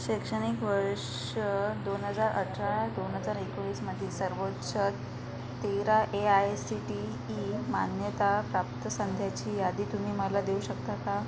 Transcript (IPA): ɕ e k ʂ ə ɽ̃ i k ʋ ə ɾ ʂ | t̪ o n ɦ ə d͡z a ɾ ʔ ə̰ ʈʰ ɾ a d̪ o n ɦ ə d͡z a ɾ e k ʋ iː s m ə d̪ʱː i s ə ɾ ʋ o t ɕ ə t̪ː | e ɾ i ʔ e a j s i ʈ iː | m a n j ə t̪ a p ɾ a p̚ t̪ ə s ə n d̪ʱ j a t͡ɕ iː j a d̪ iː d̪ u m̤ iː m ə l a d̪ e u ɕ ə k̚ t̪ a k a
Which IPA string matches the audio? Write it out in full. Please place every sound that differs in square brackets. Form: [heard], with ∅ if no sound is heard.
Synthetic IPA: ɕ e k ʂ ə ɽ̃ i k ʋ ə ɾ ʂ | [d̪] o n ɦ ə d͡z a ɾ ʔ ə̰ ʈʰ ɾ a d̪ o n ɦ ə d͡z a ɾ e k ʋ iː s m ə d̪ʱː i s ə ɾ ʋ o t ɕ ə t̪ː | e ɾ [a] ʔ e a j s i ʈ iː | m a n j ə t̪ a p ɾ a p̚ t̪ ə s ə n d̪ʱ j a t͡ɕ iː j a d̪ iː [t̪] u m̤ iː m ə l a d̪ e u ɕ ə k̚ t̪ a k a